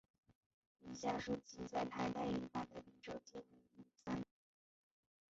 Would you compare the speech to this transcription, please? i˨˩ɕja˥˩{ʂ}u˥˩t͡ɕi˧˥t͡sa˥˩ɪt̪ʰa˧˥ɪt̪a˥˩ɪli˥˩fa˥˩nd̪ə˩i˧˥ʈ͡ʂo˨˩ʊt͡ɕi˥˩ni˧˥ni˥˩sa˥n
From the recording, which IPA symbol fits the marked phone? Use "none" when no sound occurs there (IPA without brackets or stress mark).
ʂ